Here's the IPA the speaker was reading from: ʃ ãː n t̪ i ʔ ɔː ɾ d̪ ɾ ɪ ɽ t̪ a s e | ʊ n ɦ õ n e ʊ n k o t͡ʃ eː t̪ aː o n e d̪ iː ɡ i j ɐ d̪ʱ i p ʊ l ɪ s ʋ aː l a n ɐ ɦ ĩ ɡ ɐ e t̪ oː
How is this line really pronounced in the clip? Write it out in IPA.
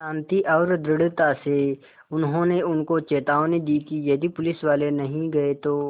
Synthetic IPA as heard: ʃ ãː n t̪ i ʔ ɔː ɾ d̪ ɾ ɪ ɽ t̪ a s e | ʊ n ɦ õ n e ʊ n k o t͡ʃ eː t̪ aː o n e d̪ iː k i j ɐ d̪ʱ i p ʊ l ɪ s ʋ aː l e n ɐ ɦ ĩ ɡ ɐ e t̪ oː